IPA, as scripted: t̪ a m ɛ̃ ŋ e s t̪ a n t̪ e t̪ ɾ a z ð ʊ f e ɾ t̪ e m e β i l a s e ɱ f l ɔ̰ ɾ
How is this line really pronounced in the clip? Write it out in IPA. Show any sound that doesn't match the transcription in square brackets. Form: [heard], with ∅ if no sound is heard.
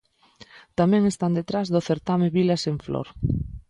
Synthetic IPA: t̪ a m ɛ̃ ŋ e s t̪ a n [d̪] e t̪ ɾ a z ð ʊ [θ] e ɾ t̪ [a] m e β i l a s e ɱ f l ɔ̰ ɾ